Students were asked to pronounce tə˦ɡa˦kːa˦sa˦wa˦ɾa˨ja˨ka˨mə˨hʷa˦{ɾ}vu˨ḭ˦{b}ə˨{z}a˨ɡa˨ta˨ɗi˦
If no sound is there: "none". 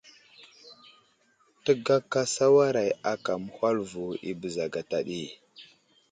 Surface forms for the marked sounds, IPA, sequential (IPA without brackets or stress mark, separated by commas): l, b, z